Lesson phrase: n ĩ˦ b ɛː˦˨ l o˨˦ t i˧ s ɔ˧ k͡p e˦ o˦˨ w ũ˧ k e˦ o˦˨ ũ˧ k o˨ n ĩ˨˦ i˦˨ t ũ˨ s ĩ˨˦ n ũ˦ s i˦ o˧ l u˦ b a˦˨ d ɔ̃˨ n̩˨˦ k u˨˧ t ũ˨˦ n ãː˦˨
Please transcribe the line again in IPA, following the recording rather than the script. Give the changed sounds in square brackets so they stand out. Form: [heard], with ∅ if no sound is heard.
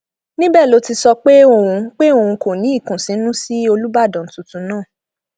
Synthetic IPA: n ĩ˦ b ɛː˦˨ l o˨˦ t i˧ s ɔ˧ k͡p e˦ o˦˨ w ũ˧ [k͡p] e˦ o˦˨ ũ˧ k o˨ n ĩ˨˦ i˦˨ [k] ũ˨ s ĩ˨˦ n ũ˦ s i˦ o˧ l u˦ b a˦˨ d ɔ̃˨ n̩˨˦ [t] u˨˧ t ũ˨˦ n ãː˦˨